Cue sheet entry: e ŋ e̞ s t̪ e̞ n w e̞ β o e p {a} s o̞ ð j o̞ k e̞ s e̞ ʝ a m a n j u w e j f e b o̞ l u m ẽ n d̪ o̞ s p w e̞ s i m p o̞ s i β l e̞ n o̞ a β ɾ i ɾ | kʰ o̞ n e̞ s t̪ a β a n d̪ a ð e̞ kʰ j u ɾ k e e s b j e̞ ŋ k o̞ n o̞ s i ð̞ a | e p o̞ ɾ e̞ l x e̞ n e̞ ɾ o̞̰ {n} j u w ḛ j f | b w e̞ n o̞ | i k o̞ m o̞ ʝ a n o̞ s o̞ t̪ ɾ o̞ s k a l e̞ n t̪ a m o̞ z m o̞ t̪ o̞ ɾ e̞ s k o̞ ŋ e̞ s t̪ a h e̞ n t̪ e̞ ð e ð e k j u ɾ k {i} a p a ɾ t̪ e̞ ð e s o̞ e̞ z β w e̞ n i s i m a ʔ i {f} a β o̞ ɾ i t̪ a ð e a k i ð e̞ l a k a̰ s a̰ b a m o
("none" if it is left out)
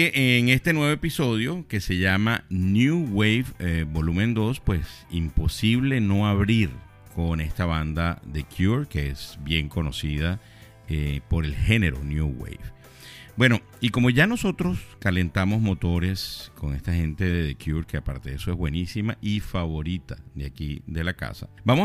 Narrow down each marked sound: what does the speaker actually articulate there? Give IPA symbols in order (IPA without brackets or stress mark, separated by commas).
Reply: i, n, e, f